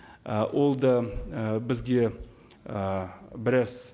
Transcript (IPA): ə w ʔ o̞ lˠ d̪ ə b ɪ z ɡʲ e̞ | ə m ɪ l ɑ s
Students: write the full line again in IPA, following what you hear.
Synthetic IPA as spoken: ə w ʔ o̞ lˠ d̪ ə b ɪ z ɡʲ e̞ | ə b ɪ ɾ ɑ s